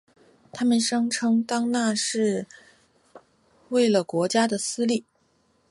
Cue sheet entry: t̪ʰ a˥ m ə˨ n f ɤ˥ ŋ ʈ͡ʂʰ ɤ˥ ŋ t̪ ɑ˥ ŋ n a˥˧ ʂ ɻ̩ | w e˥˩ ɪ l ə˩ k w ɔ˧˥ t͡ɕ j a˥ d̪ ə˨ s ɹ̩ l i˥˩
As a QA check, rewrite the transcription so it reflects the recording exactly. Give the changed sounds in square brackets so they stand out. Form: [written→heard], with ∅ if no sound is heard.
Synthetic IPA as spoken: t̪ʰ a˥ m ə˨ n [f→ʂ] ɤ˥ ŋ ʈ͡ʂʰ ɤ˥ ŋ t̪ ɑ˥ ŋ n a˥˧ ʂ ɻ̩ | w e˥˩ ɪ l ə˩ k w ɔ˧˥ t͡ɕ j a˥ d̪ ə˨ s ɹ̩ l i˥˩